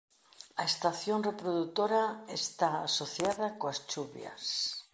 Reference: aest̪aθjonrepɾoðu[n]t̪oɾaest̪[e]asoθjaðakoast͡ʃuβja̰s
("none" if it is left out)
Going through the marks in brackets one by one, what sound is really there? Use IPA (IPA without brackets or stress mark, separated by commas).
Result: none, a